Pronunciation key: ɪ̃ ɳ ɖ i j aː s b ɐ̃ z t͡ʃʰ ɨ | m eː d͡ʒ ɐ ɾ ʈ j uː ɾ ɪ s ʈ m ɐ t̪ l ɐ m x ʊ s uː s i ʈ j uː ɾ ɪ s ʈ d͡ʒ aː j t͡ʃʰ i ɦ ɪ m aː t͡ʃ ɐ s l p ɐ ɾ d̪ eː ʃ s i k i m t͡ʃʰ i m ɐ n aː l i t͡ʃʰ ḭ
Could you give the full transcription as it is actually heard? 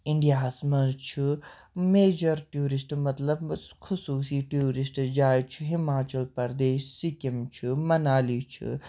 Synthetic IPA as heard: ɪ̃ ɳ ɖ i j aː s m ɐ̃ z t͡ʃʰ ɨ | m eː d͡ʒ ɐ ɾ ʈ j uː ɾ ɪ s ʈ m ɐ t̪ l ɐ b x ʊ s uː s i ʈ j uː ɾ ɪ s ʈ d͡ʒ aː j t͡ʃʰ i ɦ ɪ m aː t͡ʃ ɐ l p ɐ ɾ d̪ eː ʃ s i k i m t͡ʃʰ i m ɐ n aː l i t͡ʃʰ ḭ

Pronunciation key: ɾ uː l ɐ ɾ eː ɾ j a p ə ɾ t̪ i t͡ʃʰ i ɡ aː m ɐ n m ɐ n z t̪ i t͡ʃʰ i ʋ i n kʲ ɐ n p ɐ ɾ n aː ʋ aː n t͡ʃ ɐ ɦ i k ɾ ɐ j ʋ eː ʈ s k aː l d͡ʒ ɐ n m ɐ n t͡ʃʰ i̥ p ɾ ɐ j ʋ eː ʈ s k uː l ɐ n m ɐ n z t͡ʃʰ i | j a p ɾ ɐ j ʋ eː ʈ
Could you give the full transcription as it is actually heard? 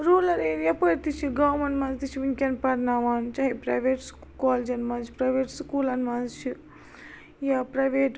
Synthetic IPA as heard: ɾ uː l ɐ ɾ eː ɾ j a p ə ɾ t̪ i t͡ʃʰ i ɡ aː m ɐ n m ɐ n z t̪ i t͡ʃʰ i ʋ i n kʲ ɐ n p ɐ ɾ n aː ʋ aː n t͡ʃ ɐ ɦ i p ɾ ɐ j ʋ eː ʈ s k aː l d͡ʒ ɐ n m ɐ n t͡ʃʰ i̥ p ɾ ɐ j ʋ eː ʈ s k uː l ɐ n m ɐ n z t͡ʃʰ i | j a p ɾ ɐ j ʋ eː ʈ

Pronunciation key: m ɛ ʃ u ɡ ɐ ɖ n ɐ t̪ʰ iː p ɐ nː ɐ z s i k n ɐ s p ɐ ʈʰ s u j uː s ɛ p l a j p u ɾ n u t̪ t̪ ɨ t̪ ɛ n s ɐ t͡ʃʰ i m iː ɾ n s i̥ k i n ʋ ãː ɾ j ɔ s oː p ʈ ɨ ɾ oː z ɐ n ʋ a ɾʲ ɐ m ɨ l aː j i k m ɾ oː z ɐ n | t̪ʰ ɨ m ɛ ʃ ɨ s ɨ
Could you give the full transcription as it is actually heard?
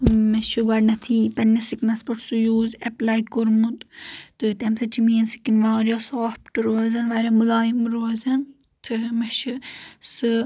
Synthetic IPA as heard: m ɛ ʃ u ɡ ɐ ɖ n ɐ t̪ʰ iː p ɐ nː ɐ s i k n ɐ s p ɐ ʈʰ s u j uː z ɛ p l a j k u ɾ m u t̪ t̪ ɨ t̪ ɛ m s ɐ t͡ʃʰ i m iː n s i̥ k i n ʋ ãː ɾ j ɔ s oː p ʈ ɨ ɾ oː z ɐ n ʋ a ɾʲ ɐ m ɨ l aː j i m ɾ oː z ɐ n | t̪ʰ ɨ m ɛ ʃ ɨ s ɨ

